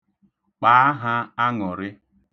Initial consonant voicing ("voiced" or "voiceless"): voiceless